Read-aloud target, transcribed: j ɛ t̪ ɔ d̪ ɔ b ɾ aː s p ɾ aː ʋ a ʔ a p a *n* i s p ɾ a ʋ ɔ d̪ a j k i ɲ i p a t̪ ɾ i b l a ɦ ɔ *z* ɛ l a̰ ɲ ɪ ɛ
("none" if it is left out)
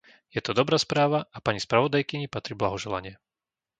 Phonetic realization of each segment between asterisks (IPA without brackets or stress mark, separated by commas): ɲ, ʒ